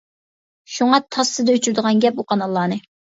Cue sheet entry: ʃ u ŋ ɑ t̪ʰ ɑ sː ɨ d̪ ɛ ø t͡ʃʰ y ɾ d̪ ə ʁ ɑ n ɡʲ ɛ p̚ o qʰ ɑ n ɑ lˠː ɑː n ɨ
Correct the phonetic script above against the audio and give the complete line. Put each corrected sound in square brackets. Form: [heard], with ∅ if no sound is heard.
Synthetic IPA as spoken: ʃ u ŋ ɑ t̪ʰ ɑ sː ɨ d̪ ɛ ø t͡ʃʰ y ɾ d̪ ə ʁ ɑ n ɡʲ ɛ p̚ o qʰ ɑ n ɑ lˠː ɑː n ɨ